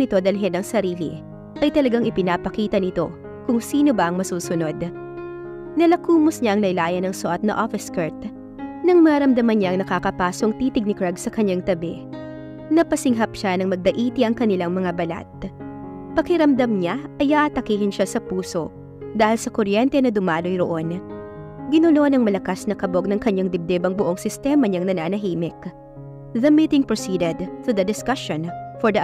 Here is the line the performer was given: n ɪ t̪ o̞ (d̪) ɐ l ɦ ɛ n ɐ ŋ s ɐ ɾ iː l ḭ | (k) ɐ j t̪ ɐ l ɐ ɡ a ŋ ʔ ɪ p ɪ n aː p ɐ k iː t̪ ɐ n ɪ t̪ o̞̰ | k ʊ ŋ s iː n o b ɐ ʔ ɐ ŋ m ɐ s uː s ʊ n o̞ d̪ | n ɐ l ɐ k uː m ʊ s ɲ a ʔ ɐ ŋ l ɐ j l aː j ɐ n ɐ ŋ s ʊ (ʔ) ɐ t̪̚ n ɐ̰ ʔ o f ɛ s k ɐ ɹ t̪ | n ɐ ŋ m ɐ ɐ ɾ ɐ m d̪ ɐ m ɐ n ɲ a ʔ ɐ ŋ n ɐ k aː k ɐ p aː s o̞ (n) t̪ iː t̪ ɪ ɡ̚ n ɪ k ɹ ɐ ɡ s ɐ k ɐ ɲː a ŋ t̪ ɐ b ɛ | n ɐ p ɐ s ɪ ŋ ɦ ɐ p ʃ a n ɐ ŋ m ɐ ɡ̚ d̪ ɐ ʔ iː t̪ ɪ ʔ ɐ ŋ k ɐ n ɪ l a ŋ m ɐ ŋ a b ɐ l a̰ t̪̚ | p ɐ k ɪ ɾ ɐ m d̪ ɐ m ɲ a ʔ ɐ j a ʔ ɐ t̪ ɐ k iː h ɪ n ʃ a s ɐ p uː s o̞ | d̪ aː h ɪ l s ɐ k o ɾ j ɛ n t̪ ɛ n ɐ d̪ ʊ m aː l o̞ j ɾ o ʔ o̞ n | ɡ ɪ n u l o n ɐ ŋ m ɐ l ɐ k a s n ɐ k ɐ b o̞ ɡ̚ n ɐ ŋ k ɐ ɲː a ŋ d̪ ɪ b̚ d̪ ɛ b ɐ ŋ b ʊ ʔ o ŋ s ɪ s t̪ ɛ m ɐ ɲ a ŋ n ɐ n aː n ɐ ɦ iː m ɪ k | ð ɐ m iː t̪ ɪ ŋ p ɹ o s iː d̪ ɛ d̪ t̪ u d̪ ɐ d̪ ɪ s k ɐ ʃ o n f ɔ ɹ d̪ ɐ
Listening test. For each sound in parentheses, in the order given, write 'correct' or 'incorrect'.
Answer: correct, incorrect: ʔ, correct, incorrect: ŋ

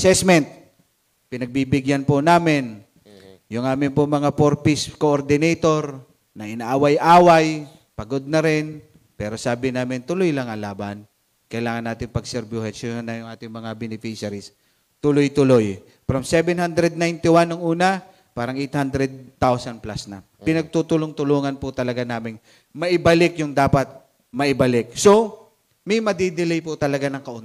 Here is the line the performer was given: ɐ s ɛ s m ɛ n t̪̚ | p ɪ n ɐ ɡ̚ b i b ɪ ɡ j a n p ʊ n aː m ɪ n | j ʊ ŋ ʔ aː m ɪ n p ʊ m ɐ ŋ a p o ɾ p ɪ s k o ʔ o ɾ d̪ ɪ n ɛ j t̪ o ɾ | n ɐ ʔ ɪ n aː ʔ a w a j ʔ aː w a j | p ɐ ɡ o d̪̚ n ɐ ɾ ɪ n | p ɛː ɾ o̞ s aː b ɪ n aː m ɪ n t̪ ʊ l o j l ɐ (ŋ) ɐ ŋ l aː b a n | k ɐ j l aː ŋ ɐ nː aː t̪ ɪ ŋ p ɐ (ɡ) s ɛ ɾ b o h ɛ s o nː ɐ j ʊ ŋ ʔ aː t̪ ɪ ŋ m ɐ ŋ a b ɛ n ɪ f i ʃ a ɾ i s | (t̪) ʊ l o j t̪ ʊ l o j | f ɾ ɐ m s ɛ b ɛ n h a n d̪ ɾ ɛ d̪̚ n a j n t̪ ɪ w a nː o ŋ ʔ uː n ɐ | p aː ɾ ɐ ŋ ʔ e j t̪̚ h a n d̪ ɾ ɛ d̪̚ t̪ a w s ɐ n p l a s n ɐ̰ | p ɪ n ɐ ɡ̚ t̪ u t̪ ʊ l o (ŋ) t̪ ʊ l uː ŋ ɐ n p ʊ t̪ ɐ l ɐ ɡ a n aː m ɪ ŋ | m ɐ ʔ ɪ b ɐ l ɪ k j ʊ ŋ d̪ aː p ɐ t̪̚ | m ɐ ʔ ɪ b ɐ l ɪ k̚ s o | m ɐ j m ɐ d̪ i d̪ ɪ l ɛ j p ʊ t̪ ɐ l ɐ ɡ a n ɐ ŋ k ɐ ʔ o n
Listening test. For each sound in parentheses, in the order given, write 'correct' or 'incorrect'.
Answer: correct, correct, correct, correct

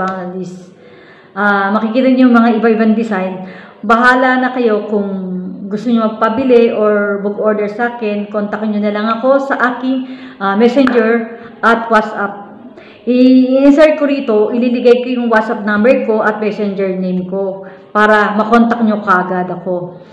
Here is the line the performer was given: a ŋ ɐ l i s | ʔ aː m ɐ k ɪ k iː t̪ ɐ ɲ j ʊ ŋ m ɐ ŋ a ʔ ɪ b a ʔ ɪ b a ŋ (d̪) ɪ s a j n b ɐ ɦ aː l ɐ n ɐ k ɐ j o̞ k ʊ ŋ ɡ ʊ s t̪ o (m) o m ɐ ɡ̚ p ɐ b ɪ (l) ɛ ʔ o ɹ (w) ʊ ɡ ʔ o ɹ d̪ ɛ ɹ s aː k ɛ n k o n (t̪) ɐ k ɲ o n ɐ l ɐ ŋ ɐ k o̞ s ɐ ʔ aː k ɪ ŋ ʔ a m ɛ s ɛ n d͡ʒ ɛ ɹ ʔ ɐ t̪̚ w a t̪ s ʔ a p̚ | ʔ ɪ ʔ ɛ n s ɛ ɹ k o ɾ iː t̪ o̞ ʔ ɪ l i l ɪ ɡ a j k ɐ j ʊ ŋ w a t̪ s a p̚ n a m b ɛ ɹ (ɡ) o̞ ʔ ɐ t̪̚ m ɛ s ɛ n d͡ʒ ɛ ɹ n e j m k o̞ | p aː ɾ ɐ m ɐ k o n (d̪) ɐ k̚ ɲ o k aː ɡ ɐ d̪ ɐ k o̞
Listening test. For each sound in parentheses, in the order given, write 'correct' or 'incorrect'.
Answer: correct, incorrect: ɲ, correct, incorrect: b, correct, incorrect: k, incorrect: t̪

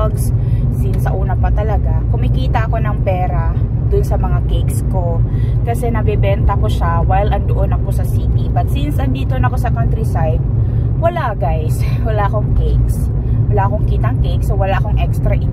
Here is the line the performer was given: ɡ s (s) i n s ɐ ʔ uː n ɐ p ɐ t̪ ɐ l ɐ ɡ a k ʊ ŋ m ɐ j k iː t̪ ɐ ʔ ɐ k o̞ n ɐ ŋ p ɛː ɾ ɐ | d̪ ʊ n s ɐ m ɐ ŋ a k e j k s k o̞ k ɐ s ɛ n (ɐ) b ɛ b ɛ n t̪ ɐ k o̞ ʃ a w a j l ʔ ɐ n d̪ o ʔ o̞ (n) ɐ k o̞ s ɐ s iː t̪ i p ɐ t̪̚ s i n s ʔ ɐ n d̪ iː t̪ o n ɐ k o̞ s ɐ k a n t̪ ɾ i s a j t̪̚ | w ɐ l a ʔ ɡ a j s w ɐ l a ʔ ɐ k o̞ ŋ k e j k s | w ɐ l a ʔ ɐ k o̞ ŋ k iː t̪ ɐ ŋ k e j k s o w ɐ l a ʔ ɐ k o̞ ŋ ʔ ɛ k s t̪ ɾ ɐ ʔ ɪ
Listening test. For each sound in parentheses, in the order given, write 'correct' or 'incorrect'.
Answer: correct, correct, correct

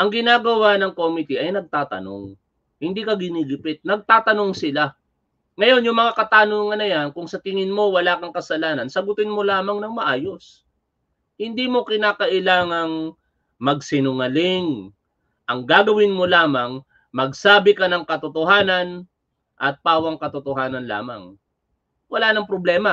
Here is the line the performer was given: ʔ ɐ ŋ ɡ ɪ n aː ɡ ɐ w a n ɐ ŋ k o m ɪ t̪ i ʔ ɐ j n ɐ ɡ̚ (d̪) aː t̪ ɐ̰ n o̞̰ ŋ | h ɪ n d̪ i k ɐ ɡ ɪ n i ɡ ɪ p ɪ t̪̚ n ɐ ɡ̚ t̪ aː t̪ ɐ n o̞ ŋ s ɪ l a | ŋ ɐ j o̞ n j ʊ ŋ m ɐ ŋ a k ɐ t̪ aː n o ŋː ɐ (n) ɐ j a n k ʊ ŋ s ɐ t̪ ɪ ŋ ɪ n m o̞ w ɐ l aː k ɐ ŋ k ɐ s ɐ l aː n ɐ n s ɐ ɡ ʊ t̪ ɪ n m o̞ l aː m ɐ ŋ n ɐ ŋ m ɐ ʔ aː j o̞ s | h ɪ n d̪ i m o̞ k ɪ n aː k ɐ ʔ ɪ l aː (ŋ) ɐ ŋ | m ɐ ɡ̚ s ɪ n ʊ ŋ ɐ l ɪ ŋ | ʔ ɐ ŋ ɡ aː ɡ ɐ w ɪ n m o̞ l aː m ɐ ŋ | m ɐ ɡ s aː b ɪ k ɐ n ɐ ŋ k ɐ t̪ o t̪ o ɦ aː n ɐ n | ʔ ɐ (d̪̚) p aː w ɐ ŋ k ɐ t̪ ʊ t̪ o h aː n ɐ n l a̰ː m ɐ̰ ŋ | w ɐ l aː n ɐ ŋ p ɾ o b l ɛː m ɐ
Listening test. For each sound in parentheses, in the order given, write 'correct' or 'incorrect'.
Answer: incorrect: t̪, correct, correct, incorrect: t̪̚

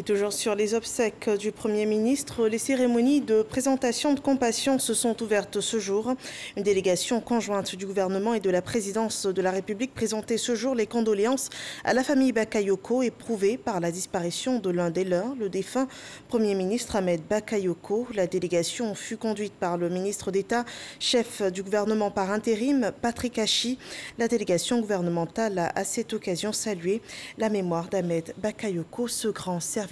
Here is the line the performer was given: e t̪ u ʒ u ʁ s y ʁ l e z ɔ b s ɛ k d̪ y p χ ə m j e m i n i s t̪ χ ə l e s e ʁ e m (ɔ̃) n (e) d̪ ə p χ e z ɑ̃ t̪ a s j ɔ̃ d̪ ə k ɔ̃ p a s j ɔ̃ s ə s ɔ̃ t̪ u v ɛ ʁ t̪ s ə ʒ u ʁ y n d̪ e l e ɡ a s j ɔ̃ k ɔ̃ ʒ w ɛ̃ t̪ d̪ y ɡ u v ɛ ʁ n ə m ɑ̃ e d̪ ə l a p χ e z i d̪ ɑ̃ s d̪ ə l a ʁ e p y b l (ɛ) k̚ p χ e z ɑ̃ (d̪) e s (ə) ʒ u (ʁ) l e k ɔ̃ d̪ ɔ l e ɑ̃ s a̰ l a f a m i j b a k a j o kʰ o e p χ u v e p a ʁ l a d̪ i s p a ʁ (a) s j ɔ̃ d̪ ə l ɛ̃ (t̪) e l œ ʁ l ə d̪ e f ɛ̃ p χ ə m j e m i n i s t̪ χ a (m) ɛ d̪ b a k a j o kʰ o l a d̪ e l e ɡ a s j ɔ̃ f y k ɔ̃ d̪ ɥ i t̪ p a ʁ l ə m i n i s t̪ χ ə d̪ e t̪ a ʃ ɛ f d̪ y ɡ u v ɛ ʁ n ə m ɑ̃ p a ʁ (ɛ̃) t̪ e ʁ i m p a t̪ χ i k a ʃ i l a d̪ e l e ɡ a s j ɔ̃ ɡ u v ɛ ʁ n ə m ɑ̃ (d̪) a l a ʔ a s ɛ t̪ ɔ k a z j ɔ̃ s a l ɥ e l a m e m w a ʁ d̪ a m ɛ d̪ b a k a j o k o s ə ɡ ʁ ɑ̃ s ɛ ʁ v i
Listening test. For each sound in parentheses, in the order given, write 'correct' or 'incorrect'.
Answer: incorrect: ɔ, incorrect: i, incorrect: i, incorrect: t̪, correct, correct, incorrect: i, incorrect: d̪, correct, correct, incorrect: t̪

